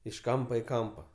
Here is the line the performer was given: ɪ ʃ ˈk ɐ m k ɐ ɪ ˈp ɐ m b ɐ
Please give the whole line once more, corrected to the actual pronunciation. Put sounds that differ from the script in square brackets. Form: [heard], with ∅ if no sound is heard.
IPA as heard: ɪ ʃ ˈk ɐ m [p] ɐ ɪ [ˈk] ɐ m [p] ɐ